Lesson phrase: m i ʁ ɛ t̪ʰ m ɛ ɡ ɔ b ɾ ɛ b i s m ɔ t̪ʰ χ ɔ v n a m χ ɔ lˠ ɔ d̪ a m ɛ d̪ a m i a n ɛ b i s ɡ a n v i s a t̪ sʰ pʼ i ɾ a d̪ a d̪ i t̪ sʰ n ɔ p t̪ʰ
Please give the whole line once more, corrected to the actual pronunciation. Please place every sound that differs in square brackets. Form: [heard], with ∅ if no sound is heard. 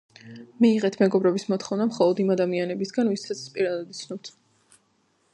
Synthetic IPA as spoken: m [iː] ʁ ɛ t̪ʰ m ɛ ɡ ɔ b ɾ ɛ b i s m ɔ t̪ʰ χ ɔ v n a m χ ɔ lˠ ɔ d̪ [i] m [a] d̪ a m i a n ɛ b i s ɡ a n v i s a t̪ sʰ pʼ i ɾ a d̪ a d̪ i t̪ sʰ n ɔ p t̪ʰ